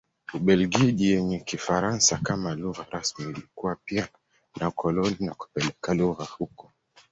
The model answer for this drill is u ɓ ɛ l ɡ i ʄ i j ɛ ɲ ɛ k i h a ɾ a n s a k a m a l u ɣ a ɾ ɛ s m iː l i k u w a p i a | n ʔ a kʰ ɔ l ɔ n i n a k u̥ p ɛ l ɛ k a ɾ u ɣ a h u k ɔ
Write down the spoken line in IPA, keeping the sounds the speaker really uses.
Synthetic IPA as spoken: u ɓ ɛ l ɡ i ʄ i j ɛ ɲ ɛ k i f a ɾ a n s a k a m a l u ɣ a ɾ a s m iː l i k u w a p i a | n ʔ a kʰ ɔ l ɔ n i n a k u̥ p ɛ l ɛ k a l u ɣ a h u k ɔ